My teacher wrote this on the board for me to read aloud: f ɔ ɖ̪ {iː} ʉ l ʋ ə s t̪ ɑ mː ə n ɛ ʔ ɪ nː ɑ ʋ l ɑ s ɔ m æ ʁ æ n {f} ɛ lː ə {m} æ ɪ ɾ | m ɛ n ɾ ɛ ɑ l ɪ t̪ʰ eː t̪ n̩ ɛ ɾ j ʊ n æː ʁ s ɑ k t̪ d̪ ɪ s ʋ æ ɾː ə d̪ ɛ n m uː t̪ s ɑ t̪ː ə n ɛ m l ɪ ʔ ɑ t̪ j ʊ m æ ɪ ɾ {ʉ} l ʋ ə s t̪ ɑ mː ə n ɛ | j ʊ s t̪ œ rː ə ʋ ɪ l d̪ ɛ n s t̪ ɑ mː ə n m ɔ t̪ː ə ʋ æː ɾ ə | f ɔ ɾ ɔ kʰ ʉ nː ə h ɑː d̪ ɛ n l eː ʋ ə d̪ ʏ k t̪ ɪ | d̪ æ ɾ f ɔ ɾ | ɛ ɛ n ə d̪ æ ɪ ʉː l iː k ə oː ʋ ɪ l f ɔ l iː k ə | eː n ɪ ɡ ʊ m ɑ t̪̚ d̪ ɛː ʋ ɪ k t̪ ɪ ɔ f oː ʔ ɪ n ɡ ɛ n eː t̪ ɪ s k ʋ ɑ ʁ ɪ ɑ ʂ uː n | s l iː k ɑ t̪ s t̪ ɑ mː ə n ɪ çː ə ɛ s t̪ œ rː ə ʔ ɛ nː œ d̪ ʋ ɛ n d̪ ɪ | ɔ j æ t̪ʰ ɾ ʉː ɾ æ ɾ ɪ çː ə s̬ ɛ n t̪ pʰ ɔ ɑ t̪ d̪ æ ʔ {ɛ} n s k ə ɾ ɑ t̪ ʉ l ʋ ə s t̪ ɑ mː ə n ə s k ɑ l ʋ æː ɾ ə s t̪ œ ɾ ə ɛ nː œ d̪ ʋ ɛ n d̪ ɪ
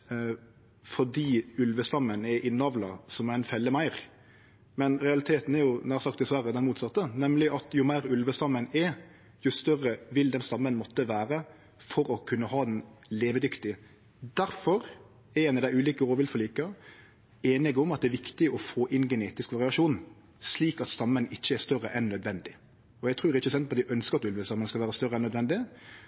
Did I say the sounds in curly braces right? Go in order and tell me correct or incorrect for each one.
correct, correct, correct, correct, incorrect: œ

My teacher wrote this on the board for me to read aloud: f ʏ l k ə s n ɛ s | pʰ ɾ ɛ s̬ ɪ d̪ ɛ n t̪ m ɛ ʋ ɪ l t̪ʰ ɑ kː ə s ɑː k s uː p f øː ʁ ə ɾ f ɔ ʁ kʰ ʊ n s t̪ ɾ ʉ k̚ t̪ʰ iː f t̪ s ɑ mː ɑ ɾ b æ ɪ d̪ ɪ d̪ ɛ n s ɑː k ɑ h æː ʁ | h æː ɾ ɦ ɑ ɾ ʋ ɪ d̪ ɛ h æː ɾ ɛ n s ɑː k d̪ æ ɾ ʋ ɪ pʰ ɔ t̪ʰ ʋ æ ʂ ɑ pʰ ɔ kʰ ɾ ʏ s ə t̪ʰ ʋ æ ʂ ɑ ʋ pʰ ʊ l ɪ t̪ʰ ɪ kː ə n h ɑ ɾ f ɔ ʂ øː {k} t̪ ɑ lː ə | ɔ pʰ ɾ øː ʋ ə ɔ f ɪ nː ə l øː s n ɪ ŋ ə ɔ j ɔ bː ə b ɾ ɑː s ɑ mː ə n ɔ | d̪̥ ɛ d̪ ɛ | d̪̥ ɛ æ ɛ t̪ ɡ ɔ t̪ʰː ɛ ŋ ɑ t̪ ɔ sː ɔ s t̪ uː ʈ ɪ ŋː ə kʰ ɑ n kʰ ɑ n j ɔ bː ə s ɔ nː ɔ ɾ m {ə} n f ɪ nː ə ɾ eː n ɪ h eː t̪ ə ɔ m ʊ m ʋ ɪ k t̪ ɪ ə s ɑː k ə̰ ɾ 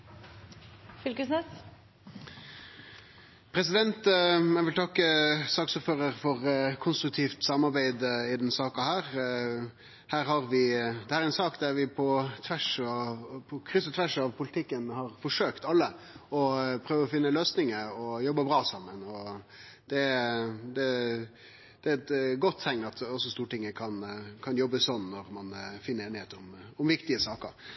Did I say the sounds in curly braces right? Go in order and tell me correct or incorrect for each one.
correct, incorrect: ɑ

